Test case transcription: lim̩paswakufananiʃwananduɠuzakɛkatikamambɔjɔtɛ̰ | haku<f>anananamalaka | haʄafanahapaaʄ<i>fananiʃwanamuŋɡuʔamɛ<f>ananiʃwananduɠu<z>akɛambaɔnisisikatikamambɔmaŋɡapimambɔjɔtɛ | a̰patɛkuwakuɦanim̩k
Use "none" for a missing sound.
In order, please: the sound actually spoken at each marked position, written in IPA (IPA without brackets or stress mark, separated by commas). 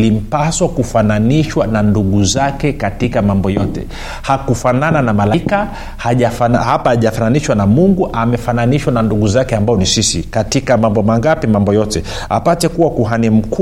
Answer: f, a, f, z